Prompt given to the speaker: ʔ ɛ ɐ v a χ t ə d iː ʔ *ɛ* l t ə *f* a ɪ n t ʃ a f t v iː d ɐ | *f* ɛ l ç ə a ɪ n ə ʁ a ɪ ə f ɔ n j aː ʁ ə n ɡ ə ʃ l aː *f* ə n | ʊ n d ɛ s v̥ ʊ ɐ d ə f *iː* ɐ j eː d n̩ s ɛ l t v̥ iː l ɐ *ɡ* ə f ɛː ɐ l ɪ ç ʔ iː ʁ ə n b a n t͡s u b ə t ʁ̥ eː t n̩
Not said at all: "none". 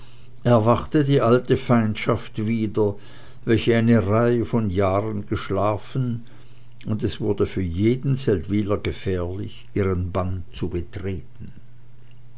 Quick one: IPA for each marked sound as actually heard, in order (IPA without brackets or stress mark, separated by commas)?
a, f, v, f, yː, ɡ